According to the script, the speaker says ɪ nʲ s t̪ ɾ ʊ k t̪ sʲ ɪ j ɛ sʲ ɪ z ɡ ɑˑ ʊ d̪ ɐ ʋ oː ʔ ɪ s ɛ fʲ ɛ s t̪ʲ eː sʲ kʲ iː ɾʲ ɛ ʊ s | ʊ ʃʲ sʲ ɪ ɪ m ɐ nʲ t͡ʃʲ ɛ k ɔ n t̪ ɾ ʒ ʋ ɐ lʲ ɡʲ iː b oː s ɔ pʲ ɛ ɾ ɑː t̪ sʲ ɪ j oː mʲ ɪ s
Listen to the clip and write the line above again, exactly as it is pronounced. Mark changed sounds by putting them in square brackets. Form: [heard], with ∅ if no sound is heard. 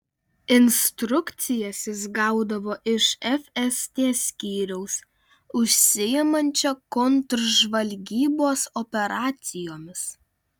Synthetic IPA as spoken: ɪ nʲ s t̪ ɾ ʊ k t̪ sʲ ɪ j ɛ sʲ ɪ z ɡ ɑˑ ʊ d̪ ɐ ʋ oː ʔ ɪ [ʃ] ɛ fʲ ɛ s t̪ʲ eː sʲ kʲ iː ɾʲ ɛ ʊ s | ʊ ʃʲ sʲ ɪ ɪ m ɐ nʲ t͡ʃʲ ɛ k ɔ n t̪ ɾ ʒ ʋ ɐ lʲ ɡʲ iː b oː s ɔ pʲ ɛ ɾ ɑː t̪ sʲ ɪ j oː mʲ ɪ s